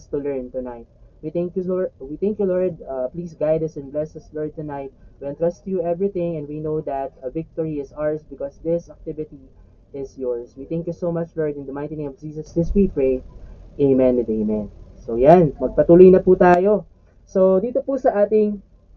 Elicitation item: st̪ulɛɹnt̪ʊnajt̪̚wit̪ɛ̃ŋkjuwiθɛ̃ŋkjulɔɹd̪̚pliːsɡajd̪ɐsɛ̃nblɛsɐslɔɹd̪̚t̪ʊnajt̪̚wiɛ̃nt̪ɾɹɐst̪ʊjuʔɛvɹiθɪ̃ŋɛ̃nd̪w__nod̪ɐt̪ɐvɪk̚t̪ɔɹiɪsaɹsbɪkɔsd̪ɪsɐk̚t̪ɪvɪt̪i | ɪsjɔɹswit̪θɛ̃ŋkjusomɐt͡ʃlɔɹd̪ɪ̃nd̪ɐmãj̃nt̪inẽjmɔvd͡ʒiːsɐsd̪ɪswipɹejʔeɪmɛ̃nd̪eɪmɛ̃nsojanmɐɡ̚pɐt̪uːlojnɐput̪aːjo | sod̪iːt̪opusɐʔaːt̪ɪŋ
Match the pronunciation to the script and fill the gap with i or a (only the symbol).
i